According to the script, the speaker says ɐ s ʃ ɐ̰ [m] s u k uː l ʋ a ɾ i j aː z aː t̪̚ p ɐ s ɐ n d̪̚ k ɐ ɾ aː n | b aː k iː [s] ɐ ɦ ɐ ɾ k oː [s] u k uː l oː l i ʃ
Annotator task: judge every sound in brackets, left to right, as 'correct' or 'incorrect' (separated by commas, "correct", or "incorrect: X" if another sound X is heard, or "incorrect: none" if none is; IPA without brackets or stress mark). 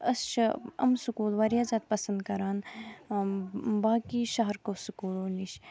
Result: correct, incorrect: ʃ, correct